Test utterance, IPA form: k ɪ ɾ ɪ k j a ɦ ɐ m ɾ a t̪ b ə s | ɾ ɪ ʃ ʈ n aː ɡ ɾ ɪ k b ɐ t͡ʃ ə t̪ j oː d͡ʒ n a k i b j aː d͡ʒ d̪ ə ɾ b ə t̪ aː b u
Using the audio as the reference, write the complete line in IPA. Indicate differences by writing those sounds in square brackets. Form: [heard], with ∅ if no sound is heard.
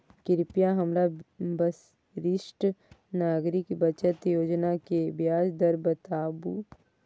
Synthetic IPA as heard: k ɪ ɾ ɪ [p] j a ɦ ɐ m ɾ a [∅] b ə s | ɾ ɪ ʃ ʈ n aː ɡ ɾ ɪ k b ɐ t͡ʃ ə t̪ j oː d͡ʒ n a k [e] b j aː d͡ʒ d̪ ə ɾ b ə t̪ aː b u